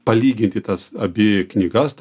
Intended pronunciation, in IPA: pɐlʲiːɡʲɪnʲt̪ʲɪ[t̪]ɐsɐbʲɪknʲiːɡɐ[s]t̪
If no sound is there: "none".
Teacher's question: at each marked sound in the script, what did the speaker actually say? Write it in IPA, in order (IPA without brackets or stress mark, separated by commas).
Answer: t̪, s